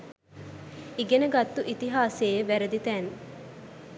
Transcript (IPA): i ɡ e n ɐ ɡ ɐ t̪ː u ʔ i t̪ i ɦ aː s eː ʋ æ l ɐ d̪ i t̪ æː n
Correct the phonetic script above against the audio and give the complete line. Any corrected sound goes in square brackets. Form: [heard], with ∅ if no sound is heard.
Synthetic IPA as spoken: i ɡ e n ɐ ɡ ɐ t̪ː u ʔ i t̪ i ɦ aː s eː ʋ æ [ɾ] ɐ d̪ i t̪ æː n